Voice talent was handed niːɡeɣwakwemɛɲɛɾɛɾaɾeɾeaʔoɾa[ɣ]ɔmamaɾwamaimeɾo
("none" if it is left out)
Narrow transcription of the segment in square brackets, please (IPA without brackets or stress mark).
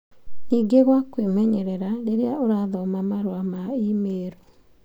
ð